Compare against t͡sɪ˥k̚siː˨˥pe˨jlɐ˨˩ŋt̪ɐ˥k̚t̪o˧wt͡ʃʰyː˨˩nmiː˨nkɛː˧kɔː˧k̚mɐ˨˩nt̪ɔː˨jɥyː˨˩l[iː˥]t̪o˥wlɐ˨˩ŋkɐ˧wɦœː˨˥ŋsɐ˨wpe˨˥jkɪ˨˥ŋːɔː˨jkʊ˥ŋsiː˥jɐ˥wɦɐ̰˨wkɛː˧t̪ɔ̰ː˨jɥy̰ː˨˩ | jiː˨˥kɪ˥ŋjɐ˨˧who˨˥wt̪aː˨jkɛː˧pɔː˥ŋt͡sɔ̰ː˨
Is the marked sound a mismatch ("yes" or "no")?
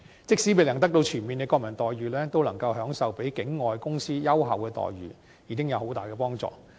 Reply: yes